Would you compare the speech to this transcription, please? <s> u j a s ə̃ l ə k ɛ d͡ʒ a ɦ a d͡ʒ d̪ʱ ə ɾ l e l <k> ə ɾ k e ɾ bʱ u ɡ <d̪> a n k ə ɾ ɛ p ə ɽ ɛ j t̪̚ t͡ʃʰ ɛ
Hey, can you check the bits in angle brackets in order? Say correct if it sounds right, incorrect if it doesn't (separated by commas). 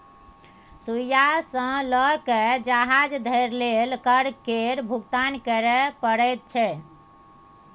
correct, correct, incorrect